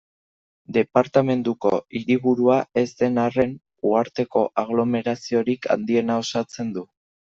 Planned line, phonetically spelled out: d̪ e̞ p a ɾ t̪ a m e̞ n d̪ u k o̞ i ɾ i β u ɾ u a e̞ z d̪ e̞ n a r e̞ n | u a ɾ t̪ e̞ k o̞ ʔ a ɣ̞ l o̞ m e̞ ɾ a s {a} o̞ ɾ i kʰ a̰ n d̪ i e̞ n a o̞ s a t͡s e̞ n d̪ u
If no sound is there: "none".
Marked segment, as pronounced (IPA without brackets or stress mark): i